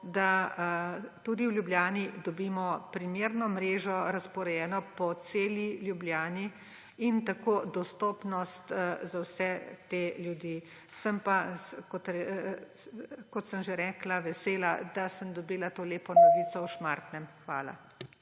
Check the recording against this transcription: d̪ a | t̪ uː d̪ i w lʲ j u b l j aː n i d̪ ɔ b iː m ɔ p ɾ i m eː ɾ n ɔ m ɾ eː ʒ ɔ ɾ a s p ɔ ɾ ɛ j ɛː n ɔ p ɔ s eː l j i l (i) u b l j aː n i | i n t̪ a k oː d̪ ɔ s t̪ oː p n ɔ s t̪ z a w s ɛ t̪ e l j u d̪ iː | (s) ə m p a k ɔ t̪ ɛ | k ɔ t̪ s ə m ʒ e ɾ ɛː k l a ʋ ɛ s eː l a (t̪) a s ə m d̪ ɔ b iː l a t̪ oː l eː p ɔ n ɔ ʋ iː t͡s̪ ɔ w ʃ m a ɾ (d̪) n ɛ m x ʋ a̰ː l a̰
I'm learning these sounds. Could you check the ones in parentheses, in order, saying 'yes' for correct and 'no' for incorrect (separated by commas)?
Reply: no, yes, no, no